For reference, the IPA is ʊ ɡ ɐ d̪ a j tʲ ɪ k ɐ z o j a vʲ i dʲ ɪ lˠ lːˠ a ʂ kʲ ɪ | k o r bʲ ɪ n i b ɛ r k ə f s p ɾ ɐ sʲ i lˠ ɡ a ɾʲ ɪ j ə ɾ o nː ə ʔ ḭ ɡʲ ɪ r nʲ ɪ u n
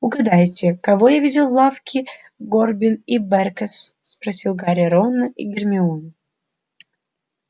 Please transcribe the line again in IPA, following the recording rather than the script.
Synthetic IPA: ʊ ɡ ɐ d̪ a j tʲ ɪ k ɐ v o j a vʲ i dʲ ɪ lˠ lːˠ a f kʲ ɪ | ɡ o r bʲ ɪ n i b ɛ r k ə s s p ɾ ɐ sʲ i lˠ ɡ a ɾʲ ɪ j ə ɾ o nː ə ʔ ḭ ɡʲ ɪ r mʲ ɪ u n